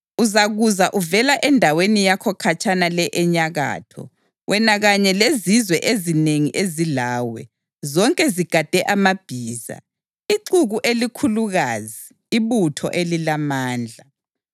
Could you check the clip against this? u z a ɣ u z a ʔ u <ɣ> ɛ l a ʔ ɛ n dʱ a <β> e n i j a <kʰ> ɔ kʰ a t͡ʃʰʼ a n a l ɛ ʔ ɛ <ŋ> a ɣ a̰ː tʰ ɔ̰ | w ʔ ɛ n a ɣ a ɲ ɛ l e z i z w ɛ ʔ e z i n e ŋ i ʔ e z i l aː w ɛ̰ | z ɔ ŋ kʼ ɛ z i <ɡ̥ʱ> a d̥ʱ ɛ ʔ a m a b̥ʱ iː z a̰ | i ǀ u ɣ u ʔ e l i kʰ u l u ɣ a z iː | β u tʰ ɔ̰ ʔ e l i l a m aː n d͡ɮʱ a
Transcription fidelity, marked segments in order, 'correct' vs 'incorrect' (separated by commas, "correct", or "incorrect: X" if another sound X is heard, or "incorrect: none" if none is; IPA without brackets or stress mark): incorrect: v, incorrect: w, correct, incorrect: ɲ, correct